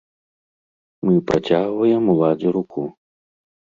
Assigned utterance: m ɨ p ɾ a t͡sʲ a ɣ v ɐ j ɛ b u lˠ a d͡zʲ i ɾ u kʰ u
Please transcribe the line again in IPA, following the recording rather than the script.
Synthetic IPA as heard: m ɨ p ɾ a t͡sʲ a ɣ v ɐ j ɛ m u lˠ a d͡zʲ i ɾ u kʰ u

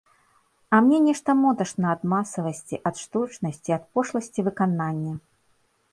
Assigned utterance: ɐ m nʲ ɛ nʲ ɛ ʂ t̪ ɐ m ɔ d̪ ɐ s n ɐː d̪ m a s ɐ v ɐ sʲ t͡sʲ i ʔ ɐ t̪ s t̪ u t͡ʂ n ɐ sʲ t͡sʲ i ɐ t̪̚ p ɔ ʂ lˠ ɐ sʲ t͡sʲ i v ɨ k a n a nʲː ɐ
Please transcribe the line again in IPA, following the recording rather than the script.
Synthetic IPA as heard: ɐ m nʲ ɛ nʲ ɛ ʂ t̪ ɐ m ɔ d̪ ɐ ʂ n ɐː d̪ m a s ɐ v ɐ sʲ t͡sʲ i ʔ ɐ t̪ ʂ t̪ u t͡ʂ n ɐ sʲ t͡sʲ i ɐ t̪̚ p ɔ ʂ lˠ ɐ sʲ t͡sʲ i v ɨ k a n a nʲː ɐ

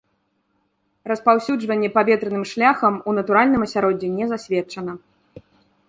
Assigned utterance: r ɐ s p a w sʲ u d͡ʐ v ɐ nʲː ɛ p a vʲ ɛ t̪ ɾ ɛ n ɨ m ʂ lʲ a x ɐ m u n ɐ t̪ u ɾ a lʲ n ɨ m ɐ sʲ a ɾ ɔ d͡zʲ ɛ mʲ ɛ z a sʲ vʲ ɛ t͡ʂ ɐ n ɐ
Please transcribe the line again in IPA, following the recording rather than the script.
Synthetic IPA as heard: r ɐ s p a w sʲ u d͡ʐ v ɐ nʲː ɛ p a vʲ ɛ t̪ ɾ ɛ n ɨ m ʂ lʲ a x ɐ m u n ɐ t̪ u ɾ a lʲ n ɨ m ɐ sʲ a ɾ ɔ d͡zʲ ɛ nʲ ɛ z a sʲ vʲ ɛ t͡ʂ ɐ n ɐ

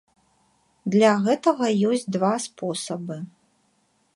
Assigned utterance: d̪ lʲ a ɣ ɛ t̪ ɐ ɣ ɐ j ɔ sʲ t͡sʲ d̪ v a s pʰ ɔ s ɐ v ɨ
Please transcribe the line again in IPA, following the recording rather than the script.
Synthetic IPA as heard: d̪ lʲ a ɣ ɛ t̪ ɐ ɣ ɐ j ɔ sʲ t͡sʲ d̪ v a s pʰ ɔ s ɐ b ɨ

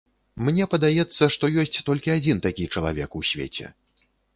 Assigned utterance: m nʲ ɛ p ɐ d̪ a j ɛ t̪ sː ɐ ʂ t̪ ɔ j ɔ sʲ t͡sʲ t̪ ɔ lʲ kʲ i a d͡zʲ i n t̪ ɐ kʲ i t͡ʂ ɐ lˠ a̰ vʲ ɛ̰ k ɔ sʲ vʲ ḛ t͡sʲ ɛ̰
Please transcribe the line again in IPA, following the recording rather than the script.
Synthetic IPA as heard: m nʲ ɛ p ɐ d̪ a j ɛ t̪ sː ɐ ʂ t̪ ɔ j ɔ sʲ t͡sʲ t̪ ɔ lʲ kʲ i a d͡zʲ i n t̪ a kʲ i t͡ʂ ɐ lˠ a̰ vʲ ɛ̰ k u sʲ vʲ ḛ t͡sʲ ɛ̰

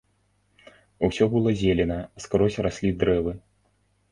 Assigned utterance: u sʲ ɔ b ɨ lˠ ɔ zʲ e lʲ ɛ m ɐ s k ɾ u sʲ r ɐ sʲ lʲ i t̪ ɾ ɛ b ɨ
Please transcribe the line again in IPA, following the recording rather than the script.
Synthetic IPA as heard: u sʲ ɔ b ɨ lˠ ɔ zʲ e lʲ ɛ n ɐ s k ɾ ɔ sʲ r a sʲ lʲ i d̪ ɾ ɛ v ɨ

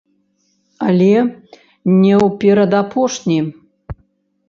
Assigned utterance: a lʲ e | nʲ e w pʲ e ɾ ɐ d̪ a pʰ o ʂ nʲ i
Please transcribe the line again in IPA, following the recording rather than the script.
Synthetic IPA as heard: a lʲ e | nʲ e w pʲ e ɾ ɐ d̪ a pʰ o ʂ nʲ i

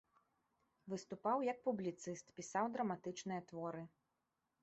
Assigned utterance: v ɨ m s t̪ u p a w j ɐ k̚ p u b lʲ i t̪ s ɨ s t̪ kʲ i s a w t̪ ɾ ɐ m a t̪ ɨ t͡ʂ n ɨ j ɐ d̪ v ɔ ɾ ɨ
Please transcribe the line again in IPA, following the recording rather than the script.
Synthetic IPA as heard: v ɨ s t̪ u p a w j ɐ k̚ p u b lʲ i t̪ s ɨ s t̪ pʲ i s a w d̪ ɾ ɐ m a t̪ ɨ t͡ʂ n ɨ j ɐ t̪ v ɔ ɾ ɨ

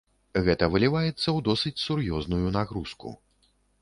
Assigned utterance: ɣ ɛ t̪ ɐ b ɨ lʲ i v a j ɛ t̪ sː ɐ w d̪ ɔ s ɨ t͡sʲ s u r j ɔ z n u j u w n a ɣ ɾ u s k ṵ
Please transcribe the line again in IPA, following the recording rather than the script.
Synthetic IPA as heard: ɣ ɛ t̪ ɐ v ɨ lʲ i v a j ɛ t̪ sː ɐ w d̪ ɔ s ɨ t͡sʲ s u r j ɔ z n u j u n a ɣ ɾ u s k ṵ

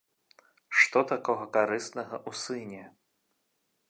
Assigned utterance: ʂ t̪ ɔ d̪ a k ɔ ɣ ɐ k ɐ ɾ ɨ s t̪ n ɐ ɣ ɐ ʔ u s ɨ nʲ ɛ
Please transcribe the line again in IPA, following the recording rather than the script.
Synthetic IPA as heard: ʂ t̪ ɔ t̪ a k ɔ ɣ ɐ k a ɾ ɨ s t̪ n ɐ ɣ ɐ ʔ u s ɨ nʲ ɛ

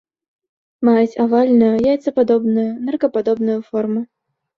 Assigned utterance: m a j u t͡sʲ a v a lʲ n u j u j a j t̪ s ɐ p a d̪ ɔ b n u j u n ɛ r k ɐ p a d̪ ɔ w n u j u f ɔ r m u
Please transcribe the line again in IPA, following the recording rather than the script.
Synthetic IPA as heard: m a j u t͡sʲ a v a lʲ n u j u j a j t̪ s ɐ p a d̪ ɔ b n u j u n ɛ r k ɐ p a d̪ ɔ b n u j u f ɔ r m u

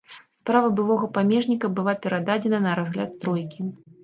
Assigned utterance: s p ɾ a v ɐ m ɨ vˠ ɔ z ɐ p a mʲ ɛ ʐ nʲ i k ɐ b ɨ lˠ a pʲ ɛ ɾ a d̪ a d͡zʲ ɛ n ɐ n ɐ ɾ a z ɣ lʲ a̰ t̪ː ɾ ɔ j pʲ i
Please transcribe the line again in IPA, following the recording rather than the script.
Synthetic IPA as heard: s p ɾ a v ɐ b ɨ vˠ ɔ ɣ ɐ p a mʲ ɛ ʐ nʲ i k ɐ b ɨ lˠ a pʲ ɛ ɾ a d̪ a d͡zʲ ɛ n ɐ n ɐ ɾ a z ɣ lʲ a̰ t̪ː ɾ ɔ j kʲ i

